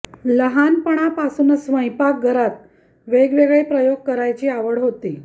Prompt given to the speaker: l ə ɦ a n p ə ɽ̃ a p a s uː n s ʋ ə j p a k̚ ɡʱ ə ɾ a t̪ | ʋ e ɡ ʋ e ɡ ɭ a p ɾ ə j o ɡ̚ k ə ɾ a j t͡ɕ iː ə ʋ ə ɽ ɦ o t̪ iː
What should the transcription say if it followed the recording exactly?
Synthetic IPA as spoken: l ə ɦ a n p ə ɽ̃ a p a s uː n s ʋ ə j p a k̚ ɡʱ ə ɾ a t̪ | ʋ e ɡ ʋ e ɡ ɭ e p ɾ ə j o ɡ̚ k ə ɾ a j t͡ɕ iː a ʋ ə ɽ ɦ o t̪ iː